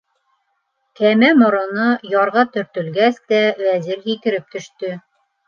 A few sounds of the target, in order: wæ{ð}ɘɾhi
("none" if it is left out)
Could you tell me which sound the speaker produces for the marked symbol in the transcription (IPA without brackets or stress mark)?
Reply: z